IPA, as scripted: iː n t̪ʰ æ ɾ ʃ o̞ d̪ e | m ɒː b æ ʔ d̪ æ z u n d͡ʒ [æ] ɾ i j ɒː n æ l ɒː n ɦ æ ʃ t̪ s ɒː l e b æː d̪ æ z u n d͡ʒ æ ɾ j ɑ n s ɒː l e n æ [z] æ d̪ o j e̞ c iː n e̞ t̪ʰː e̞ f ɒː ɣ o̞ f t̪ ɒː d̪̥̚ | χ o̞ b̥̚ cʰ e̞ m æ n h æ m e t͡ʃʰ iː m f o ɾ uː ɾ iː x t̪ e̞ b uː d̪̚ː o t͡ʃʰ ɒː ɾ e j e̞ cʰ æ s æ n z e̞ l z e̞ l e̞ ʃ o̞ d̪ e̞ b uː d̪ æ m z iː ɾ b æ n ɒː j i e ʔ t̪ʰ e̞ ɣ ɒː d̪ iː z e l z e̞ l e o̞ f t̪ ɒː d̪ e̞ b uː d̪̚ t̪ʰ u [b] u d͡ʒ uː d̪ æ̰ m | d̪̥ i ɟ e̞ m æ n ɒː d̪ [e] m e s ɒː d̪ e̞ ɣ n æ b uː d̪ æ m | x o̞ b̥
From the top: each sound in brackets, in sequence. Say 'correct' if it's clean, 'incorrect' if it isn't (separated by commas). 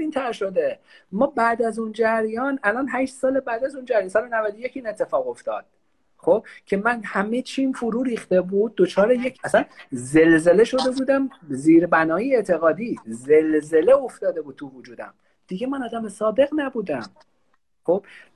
correct, incorrect, incorrect, incorrect